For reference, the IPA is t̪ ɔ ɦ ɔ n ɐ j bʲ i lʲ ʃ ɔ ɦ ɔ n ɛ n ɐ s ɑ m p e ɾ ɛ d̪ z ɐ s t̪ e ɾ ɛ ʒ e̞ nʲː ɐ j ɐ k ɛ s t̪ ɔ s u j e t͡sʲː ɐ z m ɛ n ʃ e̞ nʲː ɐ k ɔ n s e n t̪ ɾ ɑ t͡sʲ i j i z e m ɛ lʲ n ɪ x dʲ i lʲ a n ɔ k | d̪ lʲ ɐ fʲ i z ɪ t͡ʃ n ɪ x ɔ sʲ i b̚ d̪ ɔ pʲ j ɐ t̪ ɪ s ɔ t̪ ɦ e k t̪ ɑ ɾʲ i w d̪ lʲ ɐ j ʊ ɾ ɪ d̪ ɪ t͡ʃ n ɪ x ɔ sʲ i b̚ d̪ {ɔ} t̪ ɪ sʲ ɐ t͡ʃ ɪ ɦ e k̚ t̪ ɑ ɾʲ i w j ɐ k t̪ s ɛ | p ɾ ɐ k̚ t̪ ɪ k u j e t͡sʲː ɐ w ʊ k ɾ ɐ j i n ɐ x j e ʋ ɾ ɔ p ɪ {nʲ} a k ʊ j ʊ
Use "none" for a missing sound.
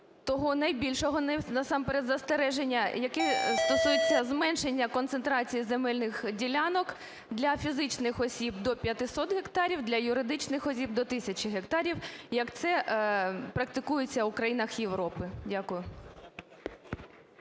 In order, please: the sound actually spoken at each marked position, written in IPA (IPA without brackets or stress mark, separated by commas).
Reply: ɔ, dʲ